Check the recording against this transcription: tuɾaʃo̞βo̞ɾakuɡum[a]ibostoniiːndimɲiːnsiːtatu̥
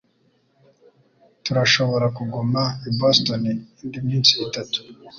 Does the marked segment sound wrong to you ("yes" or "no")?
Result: no